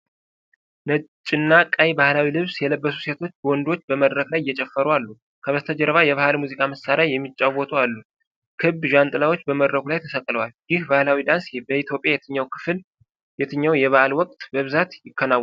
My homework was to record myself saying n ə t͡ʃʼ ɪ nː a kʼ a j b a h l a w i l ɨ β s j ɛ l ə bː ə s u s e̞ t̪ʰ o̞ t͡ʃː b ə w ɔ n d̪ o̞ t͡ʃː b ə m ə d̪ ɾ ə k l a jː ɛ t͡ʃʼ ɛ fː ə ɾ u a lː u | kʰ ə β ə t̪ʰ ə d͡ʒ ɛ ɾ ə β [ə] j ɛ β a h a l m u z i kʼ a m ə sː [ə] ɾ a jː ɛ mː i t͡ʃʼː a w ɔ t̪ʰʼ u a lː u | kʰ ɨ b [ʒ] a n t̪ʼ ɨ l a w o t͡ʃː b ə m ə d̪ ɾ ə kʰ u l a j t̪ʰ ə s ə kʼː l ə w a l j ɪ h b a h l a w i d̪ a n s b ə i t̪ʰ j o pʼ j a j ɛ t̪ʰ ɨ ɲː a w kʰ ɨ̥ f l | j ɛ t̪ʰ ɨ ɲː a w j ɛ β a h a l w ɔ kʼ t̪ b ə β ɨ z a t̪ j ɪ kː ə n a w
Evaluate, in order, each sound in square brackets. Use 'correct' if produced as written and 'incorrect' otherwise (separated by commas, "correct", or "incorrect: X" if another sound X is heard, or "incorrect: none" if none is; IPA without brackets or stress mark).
incorrect: a, incorrect: a, correct